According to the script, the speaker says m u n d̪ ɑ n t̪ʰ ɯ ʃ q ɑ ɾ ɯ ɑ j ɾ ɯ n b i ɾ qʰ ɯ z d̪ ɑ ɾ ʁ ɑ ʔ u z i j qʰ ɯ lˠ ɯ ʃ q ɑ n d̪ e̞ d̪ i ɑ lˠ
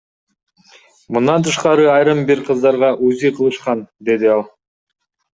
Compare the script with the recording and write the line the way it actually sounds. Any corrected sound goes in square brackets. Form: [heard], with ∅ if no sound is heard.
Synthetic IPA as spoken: m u n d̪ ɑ n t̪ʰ ɯ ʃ q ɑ ɾ ɯ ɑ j ɾ ɯ [m] b i ɾ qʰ ɯ z d̪ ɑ ɾ ʁ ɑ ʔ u z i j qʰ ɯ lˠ ɯ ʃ q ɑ n d̪ e̞ d̪ i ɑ lˠ